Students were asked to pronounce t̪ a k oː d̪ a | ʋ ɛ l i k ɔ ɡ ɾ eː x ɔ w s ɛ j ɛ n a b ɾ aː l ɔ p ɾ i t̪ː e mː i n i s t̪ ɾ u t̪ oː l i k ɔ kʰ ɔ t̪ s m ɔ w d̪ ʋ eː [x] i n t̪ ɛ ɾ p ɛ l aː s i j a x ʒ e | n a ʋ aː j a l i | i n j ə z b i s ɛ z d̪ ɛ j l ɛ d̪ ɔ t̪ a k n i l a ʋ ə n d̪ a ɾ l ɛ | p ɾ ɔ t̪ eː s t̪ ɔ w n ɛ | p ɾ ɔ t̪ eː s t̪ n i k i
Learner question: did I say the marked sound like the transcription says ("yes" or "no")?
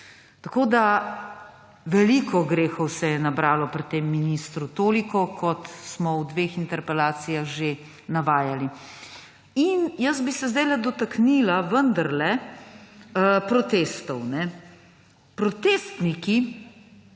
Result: yes